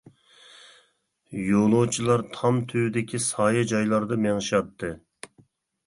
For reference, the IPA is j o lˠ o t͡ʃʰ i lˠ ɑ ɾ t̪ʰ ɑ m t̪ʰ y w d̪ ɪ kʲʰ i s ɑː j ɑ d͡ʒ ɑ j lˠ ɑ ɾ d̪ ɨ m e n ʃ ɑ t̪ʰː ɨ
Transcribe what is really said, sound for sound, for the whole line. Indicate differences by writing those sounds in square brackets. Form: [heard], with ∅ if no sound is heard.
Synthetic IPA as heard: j o lˠ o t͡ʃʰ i lˠ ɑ ɾ t̪ʰ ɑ m t̪ʰ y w d̪ ɪ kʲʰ i s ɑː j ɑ d͡ʒ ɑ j lˠ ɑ ɾ d̪ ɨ m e [ŋ] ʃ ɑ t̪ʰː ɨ